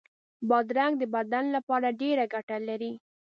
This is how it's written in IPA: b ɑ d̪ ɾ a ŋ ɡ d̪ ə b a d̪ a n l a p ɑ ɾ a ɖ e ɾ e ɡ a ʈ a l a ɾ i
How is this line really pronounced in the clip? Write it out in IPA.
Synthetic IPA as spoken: b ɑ d̪ ɾ a ŋ ɡ d̪ ə b a d̪ a n l a p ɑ ɾ a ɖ e ɾ a ɡ a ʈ a l a ɾ i